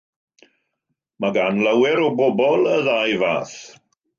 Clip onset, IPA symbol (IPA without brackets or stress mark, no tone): m